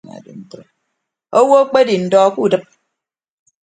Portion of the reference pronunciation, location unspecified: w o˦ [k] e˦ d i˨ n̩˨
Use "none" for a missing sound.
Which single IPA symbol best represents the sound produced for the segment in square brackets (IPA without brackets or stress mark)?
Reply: k͡p